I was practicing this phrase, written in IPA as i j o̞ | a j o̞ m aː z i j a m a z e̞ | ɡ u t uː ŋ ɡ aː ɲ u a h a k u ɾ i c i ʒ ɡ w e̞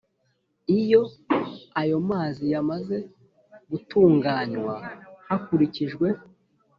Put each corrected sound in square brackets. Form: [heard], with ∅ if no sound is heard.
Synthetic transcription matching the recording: i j o̞ | a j o̞ m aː z i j a m a z e̞ | ɡ u t uː ŋ ɡ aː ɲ [w] a h a k u ɾ i c i ʒ ɡ w e̞